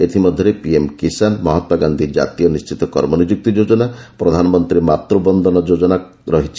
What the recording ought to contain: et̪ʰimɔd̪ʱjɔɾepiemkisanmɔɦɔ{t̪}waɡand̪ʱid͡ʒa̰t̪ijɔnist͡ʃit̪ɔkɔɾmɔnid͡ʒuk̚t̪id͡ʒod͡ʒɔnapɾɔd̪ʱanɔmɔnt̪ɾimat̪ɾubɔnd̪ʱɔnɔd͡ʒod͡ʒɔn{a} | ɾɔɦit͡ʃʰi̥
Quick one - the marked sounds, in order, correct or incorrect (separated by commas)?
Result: correct, correct